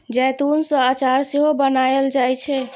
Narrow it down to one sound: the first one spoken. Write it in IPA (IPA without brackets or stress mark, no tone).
d͡ʒ